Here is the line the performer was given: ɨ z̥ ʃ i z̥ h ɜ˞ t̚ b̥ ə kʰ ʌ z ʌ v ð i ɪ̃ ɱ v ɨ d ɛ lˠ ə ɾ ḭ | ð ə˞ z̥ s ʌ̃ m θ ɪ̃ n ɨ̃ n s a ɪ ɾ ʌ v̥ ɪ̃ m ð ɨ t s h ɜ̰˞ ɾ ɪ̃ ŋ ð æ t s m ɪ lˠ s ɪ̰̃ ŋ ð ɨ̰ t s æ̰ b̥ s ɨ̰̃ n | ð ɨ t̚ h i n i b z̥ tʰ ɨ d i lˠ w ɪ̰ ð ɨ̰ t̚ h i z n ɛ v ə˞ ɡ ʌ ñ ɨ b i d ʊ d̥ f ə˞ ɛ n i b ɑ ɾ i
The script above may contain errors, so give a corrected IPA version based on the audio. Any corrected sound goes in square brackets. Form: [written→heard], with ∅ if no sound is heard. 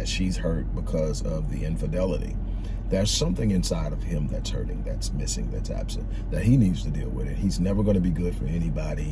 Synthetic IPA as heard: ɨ z̥ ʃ i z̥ h ɜ˞ t̚ b̥ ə kʰ ʌ z ʌ v ð i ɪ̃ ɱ [v→f] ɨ d ɛ lˠ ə ɾ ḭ | ð ə˞ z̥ s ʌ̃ m θ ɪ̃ [n→ŋ] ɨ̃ n s a ɪ ɾ ʌ v̥ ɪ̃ m ð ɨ t s h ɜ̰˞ ɾ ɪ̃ ŋ ð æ t s m ɪ [lˠ→∅] s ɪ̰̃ ŋ ð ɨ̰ t s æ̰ b̥ s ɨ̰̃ n | ð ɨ t̚ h i n i [b→d] z̥ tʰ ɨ d i lˠ w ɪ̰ ð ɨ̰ t̚ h i z n ɛ v ə˞ ɡ ʌ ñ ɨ b i [d→ɡ] ʊ d̥ f ə˞ ɛ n i b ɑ ɾ i

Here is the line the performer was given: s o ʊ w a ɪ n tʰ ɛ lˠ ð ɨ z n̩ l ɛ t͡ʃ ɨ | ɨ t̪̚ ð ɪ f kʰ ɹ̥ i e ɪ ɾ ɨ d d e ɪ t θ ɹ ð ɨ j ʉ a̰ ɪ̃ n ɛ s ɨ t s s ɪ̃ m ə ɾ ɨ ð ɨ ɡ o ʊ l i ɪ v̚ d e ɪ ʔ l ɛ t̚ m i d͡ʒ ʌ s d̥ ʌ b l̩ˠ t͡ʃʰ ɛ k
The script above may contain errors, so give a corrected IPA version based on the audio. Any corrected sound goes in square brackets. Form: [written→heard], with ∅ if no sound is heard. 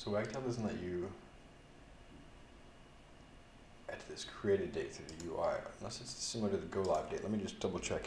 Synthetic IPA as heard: s o ʊ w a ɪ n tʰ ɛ lˠ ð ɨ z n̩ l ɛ t͡ʃ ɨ | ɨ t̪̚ ð ɪ [f→s] kʰ ɹ̥ i e ɪ ɾ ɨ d d e ɪ t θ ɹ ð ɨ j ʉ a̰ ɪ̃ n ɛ s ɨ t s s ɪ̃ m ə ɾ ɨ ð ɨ ɡ o ʊ l [i→a] ɪ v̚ d e ɪ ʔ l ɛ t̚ m i d͡ʒ ʌ s d̥ ʌ b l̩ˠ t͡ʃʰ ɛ k

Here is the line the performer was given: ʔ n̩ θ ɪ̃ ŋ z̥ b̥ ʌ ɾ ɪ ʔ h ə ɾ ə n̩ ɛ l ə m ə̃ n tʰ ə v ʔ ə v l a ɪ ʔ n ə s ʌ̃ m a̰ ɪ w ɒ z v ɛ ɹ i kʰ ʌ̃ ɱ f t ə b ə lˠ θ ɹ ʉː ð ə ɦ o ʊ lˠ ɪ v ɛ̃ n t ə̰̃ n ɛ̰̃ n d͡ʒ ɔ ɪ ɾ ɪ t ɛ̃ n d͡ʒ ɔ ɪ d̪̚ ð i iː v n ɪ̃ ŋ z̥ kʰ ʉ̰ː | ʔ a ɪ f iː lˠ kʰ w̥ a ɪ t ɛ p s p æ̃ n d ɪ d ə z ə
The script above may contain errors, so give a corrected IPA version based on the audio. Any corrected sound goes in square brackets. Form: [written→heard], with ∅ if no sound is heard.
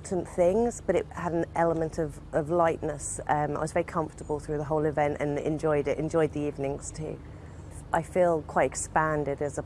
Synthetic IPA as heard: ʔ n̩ θ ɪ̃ ŋ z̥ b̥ ʌ ɾ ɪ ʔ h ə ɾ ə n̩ ɛ l ə m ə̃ n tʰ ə v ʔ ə v l a ɪ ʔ n ə s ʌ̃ m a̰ ɪ w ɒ z v ɛ ɹ i kʰ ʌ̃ ɱ f t ə b ə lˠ θ ɹ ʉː ð ə ɦ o ʊ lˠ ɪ v ɛ̃ n t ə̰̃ n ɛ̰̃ n d͡ʒ ɔ ɪ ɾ ɪ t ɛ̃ n d͡ʒ ɔ ɪ d̪̚ ð i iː v n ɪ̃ ŋ z̥ [kʰ→tʰ] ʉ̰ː | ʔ a ɪ f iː lˠ kʰ w̥ a ɪ t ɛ [p→k] s p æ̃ n d ɪ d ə z ə

